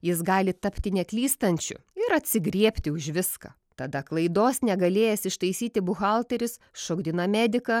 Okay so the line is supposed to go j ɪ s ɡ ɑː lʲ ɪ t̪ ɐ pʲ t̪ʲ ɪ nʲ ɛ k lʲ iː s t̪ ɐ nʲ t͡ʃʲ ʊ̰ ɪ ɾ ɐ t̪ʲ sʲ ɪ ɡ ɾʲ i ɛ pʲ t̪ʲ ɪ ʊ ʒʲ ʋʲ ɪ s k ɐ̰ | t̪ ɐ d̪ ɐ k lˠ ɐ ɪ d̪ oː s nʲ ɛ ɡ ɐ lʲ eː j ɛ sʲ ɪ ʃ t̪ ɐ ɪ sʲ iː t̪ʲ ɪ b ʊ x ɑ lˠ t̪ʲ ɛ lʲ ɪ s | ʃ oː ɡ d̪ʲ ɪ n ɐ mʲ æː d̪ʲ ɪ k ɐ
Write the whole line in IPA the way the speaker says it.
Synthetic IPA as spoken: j ɪ s ɡ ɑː lʲ ɪ t̪ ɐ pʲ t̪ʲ ɪ nʲ ɛ k lʲ iː s t̪ ɐ nʲ t͡ʃʲ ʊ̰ ɪ ɾ ɐ t̪ʲ sʲ ɪ ɡ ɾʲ i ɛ pʲ t̪ʲ ɪ ʊ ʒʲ ʋʲ ɪ s k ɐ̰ | t̪ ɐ d̪ ɐ k lˠ ɐ ɪ d̪ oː s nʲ ɛ ɡ ɐ lʲ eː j ɛ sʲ ɪ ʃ t̪ ɐ ɪ sʲ iː t̪ʲ ɪ b ʊ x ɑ lˠ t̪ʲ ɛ ɾʲ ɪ s | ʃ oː ɡ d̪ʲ ɪ n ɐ mʲ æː d̪ʲ ɪ k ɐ